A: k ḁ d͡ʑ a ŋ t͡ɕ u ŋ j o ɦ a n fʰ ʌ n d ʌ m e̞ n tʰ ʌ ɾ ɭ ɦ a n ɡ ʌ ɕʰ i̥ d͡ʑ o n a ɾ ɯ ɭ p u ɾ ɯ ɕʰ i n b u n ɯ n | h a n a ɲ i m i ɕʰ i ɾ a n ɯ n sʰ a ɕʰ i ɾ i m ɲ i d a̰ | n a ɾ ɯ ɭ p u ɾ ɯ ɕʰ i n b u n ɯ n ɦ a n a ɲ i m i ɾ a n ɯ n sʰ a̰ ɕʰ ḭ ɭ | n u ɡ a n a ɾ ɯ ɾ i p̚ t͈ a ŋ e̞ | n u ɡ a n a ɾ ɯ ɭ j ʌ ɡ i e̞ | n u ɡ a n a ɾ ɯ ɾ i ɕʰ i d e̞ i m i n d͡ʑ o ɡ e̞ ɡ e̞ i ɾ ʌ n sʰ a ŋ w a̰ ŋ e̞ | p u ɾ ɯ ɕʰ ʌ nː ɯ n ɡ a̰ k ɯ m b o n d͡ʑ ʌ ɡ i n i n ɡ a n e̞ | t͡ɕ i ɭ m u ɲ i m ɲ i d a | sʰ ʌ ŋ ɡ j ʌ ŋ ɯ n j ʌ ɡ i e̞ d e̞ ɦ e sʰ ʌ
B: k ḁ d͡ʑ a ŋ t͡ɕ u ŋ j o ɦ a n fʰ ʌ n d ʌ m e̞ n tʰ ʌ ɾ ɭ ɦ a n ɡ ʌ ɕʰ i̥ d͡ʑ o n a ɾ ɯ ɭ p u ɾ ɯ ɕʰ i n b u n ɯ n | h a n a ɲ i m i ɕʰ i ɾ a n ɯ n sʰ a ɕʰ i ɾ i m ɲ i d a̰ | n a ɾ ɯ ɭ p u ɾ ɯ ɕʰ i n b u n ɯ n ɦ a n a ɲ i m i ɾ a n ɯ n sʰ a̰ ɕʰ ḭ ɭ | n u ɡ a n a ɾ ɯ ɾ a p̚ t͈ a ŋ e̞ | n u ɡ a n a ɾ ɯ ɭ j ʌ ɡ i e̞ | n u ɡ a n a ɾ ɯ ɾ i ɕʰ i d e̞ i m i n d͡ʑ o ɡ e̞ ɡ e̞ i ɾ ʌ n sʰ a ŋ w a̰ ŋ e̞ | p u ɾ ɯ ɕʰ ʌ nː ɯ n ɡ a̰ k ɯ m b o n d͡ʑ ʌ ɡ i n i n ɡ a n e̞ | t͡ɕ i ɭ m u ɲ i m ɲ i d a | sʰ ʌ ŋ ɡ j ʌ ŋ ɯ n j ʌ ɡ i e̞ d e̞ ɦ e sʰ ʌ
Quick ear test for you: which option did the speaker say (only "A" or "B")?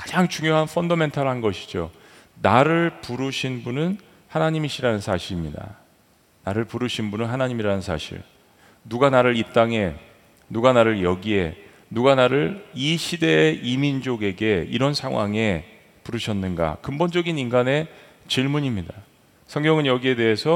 A